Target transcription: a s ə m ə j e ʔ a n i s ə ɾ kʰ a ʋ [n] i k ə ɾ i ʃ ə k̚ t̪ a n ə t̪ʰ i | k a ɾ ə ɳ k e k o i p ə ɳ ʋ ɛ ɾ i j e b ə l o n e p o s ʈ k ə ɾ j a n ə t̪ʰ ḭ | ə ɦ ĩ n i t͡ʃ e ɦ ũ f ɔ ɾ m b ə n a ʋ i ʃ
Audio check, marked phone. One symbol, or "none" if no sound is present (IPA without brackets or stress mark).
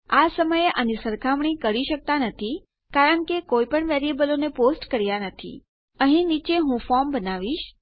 ɳ